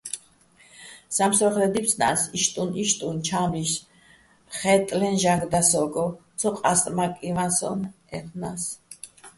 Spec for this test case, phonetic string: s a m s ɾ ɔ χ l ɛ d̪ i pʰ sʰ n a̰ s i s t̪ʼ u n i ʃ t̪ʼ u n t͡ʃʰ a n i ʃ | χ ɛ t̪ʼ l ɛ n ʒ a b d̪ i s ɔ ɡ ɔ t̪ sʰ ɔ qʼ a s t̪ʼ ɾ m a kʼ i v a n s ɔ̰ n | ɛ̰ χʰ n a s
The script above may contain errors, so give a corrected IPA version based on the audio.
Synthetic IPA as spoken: s a m s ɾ ɔ χ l ɛ d̪ i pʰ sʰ n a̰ s i ʃ t̪ʼ u n i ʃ t̪ʼ u n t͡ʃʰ a m i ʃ | χ ɛ t̪ʼ l ɛ n ʒ a ɡ d̪ a s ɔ ɡ ɔ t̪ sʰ ɔ qʼ a s t̪ʼ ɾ m a kʼ i v a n s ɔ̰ n | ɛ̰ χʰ n a s

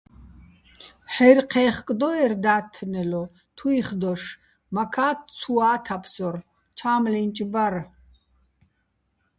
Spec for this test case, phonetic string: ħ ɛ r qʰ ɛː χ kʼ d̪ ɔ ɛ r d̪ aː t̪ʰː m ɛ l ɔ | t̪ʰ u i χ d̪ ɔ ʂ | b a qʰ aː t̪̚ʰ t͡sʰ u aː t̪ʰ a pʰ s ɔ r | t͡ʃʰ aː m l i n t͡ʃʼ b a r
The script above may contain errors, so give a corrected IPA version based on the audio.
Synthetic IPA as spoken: ħ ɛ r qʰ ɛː χ kʼ d̪ ɔ ɛ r d̪ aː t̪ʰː n ɛ l ɔ | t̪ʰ u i χ d̪ ɔ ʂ | m a kʰ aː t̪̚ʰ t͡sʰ u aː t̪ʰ a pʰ s ɔ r | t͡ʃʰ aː m l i n t͡ʃʼ b a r

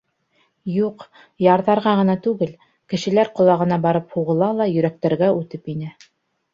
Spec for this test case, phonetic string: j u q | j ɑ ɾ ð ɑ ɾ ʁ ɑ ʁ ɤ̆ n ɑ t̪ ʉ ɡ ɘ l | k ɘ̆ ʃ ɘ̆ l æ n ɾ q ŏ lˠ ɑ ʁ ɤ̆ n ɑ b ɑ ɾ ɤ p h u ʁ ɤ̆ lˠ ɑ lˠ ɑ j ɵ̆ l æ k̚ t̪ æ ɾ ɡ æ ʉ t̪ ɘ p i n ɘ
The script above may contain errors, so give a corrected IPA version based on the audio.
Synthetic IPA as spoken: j u q | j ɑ ɾ ð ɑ ɾ ʁ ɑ ʁ ɤ̆ n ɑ t̪ ʉ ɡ ɘ l | k ɘ̆ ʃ ɘ̆ l æ ɾ q ŏ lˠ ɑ ʁ ɤ̆ n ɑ b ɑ ɾ ɤ p h u ʁ ɤ̆ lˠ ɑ lˠ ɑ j ɵ̆ ɾ æ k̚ t̪ æ ɾ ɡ æ ʉ t̪ ɘ p i n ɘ

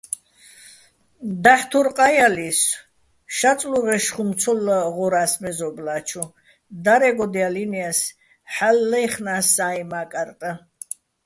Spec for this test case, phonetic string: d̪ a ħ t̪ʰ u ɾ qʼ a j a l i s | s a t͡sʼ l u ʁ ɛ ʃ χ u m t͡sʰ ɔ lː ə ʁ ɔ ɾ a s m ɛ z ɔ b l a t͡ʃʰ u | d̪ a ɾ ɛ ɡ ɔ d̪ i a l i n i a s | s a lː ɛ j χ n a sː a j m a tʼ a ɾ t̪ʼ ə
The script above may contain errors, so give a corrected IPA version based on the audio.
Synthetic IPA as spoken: d̪ a ħ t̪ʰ u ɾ qʼ a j a l i s | ʃ a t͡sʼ l u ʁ ɛ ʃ χ u m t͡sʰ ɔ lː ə ʁ ɔ ɾ a s m ɛ z ɔ b l a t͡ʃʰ u | d̪ a ɾ ɛ ɡ ɔ d̪ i a l i n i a s | ħ a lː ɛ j χ n a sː a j m a kʼ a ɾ t̪ʼ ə

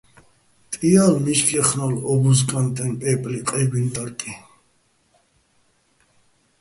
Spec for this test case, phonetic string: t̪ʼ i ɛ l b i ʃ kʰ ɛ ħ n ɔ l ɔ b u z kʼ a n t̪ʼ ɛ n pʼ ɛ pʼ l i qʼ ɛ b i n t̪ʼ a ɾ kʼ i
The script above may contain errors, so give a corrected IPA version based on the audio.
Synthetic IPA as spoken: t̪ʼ i a l m i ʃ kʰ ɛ χ n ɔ l ɔ b u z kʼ a n t̪ʼ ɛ n pʼ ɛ pʼ l i qʼ ɛ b i n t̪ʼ a ɾ kʼ i

